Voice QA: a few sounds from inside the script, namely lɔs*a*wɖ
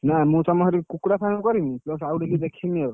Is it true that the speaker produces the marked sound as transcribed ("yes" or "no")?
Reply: yes